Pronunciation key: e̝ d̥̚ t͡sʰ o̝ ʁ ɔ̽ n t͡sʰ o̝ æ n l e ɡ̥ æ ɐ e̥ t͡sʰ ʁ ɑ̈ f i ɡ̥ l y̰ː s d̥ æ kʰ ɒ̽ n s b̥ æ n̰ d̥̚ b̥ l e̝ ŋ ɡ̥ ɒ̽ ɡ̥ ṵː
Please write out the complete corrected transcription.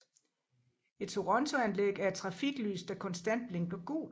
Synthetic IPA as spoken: e̝ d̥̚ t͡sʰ o̝ ʁ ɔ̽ n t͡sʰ o̝ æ n l e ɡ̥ æ ɐ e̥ t͡sʰ ʁ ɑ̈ f i ɡ̥ l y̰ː s d̥ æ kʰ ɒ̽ n s d̥ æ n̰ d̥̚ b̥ l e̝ ŋ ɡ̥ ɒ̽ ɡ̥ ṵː